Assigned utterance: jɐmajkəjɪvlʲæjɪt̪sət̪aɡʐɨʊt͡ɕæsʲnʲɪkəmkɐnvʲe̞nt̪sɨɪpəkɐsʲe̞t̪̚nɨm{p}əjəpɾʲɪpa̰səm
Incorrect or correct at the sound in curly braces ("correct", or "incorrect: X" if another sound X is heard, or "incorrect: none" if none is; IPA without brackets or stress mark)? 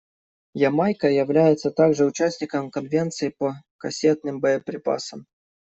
incorrect: b